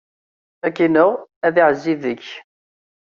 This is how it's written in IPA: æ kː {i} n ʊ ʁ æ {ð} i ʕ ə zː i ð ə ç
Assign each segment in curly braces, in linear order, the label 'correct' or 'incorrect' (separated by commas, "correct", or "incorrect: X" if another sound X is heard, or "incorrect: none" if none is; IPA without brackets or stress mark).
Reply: correct, correct